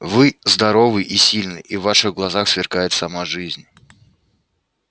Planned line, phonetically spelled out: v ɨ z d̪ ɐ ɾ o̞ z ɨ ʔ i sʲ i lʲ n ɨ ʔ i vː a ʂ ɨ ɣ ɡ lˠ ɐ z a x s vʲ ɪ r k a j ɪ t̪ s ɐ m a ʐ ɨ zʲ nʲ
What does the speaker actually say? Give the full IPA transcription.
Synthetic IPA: v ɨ z d̪ ɐ ɾ o̞ v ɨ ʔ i sʲ i lʲ n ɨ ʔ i vː a ʂ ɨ ɣ ɡ lˠ ɐ z a x s vʲ ɪ r k a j ɪ t̪ s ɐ m a ʐ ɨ zʲ nʲ